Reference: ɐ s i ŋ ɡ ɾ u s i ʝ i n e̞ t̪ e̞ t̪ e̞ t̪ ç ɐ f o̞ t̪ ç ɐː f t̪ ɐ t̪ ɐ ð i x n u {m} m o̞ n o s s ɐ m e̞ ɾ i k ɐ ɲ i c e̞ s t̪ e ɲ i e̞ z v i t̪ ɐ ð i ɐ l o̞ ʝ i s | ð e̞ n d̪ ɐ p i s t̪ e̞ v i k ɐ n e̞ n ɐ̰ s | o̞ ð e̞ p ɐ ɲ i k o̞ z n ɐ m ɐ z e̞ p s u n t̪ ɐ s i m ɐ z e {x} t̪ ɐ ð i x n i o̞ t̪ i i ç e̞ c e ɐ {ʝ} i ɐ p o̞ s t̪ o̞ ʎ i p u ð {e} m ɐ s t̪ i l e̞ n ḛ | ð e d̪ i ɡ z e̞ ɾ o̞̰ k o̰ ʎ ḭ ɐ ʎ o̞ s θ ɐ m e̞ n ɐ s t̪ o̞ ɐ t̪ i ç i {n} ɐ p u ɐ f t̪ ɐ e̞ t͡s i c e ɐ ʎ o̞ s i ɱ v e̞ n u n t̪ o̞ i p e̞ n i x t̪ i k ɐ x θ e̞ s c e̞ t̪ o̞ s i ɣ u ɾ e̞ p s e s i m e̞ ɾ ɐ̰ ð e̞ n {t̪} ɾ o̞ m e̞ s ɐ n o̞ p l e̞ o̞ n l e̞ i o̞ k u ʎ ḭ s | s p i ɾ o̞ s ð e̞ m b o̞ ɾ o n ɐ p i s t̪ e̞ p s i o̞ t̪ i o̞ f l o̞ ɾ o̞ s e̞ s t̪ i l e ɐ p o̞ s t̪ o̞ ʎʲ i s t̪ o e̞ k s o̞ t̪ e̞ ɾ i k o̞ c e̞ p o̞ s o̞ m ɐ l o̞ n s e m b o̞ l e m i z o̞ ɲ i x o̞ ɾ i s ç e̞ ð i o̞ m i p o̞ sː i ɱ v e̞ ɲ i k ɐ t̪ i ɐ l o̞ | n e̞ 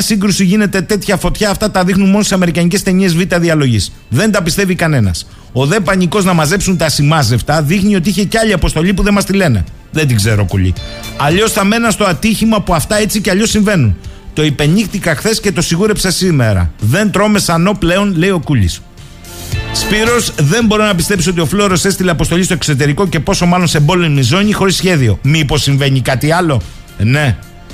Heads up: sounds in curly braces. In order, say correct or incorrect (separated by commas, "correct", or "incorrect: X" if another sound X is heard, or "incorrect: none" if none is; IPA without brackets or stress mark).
incorrect: n, incorrect: f, incorrect: ʎ, correct, incorrect: m, correct